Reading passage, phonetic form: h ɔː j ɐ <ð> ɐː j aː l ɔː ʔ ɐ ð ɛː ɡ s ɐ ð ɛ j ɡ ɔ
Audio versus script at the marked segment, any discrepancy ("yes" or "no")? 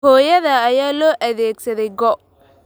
no